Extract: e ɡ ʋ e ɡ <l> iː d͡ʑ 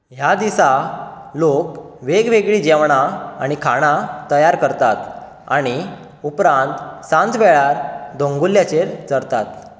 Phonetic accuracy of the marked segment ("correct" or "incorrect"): incorrect